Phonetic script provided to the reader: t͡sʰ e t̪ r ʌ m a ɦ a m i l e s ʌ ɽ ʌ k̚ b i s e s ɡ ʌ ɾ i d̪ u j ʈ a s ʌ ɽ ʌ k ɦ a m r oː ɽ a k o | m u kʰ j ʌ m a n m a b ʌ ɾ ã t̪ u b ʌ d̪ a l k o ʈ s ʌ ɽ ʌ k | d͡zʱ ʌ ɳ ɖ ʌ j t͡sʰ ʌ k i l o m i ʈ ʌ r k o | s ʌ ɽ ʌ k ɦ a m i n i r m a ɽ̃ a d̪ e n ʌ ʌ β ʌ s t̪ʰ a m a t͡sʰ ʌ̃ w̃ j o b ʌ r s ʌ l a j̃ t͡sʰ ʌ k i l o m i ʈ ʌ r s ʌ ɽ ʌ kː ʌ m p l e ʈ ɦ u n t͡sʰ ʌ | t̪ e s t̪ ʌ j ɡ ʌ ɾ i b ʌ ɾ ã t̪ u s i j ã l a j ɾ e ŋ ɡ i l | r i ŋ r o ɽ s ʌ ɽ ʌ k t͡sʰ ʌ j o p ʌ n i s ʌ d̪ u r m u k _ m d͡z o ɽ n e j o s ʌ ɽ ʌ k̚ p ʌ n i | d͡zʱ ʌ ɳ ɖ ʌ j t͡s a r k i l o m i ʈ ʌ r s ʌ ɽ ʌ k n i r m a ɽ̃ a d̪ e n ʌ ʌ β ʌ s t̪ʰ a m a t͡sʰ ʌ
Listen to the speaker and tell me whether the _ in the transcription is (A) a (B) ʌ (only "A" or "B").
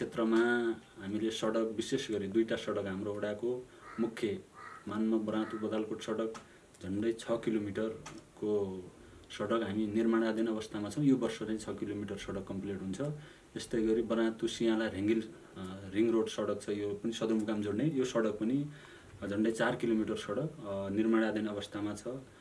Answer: A